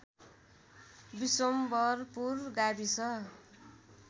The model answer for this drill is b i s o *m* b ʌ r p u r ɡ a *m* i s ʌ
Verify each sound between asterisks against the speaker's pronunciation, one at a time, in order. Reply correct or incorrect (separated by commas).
correct, incorrect